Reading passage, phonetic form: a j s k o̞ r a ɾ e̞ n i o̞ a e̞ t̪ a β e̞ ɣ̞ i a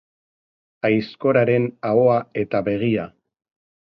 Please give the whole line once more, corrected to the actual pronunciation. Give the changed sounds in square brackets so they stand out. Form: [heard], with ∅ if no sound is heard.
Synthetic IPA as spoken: a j s k o̞ [ɾ] a ɾ e̞ n [a] o̞ a e̞ t̪ a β e̞ ɣ̞ i a